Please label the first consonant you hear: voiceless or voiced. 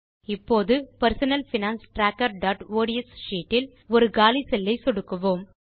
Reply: voiceless